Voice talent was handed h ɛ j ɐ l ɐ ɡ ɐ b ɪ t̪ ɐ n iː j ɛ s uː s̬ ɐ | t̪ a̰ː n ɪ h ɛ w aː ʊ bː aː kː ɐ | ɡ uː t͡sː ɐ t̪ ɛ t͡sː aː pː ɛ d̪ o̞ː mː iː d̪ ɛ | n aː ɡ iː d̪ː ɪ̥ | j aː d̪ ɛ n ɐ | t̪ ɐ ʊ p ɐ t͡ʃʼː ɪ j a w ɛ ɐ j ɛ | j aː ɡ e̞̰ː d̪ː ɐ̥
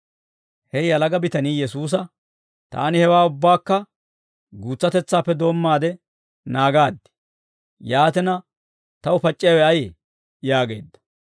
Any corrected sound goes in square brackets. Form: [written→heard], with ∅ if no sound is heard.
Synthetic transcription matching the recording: h ɛ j ɐ l ɐ ɡ ɐ b ɪ t̪ ɐ n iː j ɛ s uː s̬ ɐ | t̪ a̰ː n ɪ h ɛ w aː ʊ bː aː kː ɐ | ɡ uː t͡sː ɐ t̪ ɛ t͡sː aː pː ɛ d̪ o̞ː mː [iː→aː] d̪ ɛ | n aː ɡ [iː→aː] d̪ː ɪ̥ | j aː [d̪→t̪] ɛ n ɐ | t̪ ɐ ʊ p ɐ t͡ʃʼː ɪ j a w ɛ ɐ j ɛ | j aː ɡ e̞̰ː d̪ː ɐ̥

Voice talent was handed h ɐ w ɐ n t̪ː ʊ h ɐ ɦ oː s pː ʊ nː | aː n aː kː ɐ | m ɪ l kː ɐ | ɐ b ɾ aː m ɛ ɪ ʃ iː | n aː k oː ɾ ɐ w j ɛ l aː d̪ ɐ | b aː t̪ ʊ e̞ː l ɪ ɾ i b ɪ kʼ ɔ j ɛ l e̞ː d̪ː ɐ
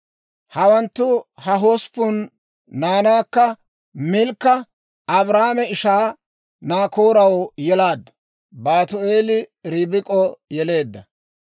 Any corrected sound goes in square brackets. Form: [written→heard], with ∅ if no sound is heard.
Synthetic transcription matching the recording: h ɐ w ɐ n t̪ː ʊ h ɐ ɦ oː s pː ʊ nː | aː n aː kː ɐ | m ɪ l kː ɐ | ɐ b ɾ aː m ɛ ɪ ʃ [iː→aː] | n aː k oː ɾ ɐ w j ɛ l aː d̪ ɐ | b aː t̪ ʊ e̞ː l ɪ ɾ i b ɪ kʼ ɔ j ɛ l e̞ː d̪ː ɐ

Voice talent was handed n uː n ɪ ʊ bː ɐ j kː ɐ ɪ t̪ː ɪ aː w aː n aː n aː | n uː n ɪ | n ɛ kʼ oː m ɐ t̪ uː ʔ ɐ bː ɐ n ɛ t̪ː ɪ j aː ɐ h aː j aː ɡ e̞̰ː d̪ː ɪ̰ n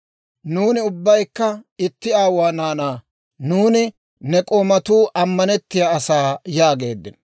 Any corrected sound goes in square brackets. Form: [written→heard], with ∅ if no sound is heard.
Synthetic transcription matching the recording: n uː n ɪ ʊ bː ɐ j kː ɐ ɪ t̪ː ɪ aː w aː n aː n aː | n uː n ɪ | n ɛ kʼ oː m ɐ t̪ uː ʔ ɐ [bː→mː] ɐ n ɛ t̪ː ɪ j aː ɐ [h→s] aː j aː ɡ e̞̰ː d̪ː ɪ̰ n

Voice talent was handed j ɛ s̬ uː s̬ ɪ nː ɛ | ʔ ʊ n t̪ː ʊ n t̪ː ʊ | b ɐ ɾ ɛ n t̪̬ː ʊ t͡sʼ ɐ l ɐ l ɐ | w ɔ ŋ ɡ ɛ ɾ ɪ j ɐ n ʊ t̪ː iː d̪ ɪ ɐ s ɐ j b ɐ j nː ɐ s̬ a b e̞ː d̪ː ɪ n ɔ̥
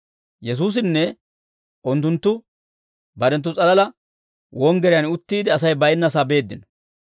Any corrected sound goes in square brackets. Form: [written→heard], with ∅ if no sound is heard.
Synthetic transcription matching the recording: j ɛ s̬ uː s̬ ɪ nː ɛ | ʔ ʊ n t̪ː ʊ n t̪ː ʊ | b ɐ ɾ ɛ n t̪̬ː ʊ t͡sʼ ɐ l ɐ l ɐ | w ɔ ŋ ɡ ɛ ɾ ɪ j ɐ n ʊ t̪ː iː d̪ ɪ ɐ s ɐ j b ɐ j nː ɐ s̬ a b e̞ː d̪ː ɪ n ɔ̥

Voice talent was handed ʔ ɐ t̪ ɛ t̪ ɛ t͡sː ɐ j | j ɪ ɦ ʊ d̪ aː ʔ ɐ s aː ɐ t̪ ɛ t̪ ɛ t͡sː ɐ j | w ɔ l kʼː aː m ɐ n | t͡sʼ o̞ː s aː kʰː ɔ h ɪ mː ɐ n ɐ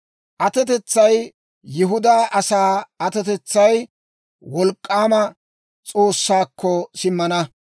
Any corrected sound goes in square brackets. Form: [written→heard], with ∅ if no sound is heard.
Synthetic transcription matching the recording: ʔ ɐ t̪ ɛ t̪ ɛ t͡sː ɐ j | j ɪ ɦ ʊ d̪ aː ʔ ɐ s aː ɐ t̪ ɛ t̪ ɛ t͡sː ɐ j | w ɔ l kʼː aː m ɐ [n→∅] | t͡sʼ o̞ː [s→sː] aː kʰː ɔ [h→s] ɪ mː ɐ n ɐ

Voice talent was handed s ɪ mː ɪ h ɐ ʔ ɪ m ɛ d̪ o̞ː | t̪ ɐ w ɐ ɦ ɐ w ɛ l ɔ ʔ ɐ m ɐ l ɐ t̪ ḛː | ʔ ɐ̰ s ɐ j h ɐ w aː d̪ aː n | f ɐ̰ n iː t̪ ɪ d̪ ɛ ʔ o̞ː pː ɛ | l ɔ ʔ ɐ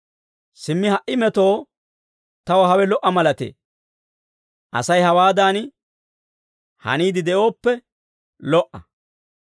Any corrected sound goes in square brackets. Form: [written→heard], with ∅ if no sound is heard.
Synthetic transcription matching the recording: s ɪ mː ɪ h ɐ ʔ ɪ m ɛ [d̪→t̪] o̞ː | t̪ ɐ w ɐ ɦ ɐ w ɛ l ɔ ʔ ɐ m ɐ l ɐ t̪ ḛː | ʔ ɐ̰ s ɐ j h ɐ w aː d̪ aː n | [f→h] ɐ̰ n iː [t̪→d̪] ɪ d̪ ɛ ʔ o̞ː pː ɛ | l ɔ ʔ ɐ

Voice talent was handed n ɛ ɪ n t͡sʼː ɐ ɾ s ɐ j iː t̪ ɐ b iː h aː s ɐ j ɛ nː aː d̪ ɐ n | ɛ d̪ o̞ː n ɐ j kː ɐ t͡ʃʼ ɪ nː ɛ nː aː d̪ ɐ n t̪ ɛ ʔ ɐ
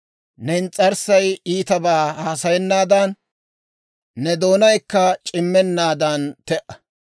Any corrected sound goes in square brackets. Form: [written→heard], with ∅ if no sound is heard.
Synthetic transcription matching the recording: n ɛ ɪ n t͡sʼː ɐ ɾ s ɐ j iː t̪ ɐ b [iː→aː] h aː s ɐ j ɛ nː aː d̪ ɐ n | ɛ d̪ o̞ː n ɐ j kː ɐ t͡ʃʼ ɪ [nː→mː] ɛ nː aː d̪ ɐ n t̪ ɛ ʔ ɐ

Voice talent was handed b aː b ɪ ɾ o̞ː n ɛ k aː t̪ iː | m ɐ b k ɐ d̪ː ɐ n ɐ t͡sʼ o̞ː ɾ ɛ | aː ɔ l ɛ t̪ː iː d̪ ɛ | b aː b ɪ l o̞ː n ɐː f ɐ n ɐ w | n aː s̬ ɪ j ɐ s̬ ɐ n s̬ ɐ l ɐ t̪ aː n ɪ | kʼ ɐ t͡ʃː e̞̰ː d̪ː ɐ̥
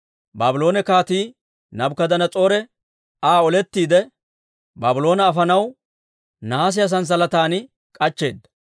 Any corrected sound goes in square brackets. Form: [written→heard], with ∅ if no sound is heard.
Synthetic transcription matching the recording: b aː b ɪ [ɾ→l] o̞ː n ɛ k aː t̪ iː | [m→n] ɐ b k ɐ [d̪ː→d̪] ɐ n ɐ t͡sʼ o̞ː ɾ ɛ | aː ɔ l ɛ t̪ː iː d̪ ɛ | b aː b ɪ l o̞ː n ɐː f ɐ n ɐ w | n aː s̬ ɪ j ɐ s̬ ɐ n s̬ ɐ l ɐ t̪ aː n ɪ | kʼ ɐ t͡ʃː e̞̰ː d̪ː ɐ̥

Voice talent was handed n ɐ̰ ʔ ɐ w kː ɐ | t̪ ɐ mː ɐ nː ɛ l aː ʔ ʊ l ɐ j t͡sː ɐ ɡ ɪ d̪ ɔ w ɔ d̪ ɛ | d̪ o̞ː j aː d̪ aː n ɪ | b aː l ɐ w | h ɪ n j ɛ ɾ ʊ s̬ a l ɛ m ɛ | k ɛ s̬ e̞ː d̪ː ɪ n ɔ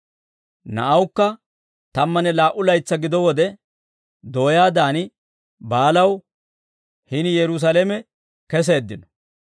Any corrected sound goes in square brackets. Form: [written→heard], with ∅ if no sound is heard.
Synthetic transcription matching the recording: n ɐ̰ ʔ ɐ w kː ɐ | t̪ ɐ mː ɐ [nː→n] ɛ l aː ʔ ʊ l ɐ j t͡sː ɐ ɡ ɪ d̪ ɔ w ɔ d̪ ɛ | d̪ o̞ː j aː d̪ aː n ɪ | b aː l ɐ w | h ɪ n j ɛ ɾ ʊ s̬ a l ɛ m ɛ | k ɛ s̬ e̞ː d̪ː ɪ n ɔ

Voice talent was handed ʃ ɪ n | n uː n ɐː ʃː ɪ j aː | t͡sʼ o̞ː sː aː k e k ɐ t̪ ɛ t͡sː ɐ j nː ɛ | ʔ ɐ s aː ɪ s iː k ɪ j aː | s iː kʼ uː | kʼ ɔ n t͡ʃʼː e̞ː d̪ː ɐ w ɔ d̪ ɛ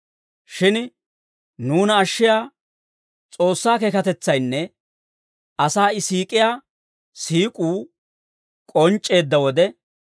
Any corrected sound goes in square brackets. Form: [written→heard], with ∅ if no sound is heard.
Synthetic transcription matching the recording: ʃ ɪ n | n uː n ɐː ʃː ɪ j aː | t͡sʼ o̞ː sː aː k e k ɐ t̪ ɛ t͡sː ɐ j nː ɛ | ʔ ɐ s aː ɪ s iː [k→kʼ] ɪ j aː | s iː kʼ uː | kʼ ɔ n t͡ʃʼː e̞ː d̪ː ɐ w ɔ d̪ ɛ

